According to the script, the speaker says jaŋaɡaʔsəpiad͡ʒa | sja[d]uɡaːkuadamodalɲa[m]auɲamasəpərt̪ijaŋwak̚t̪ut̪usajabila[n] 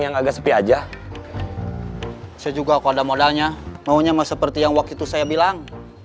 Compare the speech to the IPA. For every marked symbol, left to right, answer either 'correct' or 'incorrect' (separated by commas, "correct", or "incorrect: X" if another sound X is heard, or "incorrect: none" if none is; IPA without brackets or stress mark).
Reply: incorrect: d͡ʒ, correct, incorrect: ŋ